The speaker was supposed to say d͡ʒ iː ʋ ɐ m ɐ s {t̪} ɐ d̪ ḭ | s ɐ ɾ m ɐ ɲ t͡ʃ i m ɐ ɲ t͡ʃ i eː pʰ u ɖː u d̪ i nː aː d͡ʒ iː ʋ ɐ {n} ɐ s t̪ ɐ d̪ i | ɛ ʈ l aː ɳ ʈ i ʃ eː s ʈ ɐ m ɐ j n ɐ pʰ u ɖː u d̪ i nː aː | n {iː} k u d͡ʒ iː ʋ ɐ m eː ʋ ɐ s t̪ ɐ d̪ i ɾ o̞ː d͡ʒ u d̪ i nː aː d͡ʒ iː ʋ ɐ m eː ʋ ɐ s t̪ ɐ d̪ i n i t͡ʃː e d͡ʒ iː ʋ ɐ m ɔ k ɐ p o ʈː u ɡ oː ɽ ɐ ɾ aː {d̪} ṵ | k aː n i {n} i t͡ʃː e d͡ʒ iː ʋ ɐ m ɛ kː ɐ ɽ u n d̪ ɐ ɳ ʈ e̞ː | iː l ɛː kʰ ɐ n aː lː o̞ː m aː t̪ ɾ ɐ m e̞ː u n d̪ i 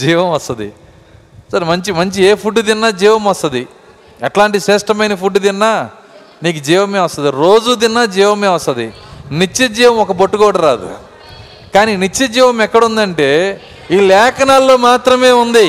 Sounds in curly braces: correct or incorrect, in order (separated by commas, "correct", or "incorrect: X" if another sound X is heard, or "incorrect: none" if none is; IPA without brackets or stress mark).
correct, incorrect: m, correct, correct, correct